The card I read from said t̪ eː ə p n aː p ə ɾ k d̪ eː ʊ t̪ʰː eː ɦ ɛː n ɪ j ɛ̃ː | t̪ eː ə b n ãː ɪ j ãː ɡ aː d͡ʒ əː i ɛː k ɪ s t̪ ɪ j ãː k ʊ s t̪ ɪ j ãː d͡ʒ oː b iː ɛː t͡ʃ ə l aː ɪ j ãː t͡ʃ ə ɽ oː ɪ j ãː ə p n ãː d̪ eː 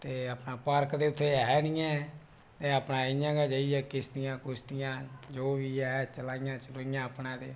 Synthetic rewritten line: t̪ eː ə p n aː p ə ɾ k d̪ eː ʊ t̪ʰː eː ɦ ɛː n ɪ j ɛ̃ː | t̪ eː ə p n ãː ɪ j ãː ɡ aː d͡ʒ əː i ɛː k ɪ s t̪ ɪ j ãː k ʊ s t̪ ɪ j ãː d͡ʒ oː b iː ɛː t͡ʃ ə l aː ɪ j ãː t͡ʃ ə l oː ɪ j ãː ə p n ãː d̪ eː